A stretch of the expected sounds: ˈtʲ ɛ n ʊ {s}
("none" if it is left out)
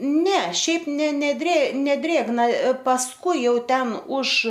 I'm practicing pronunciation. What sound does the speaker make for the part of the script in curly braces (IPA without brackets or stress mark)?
ʃ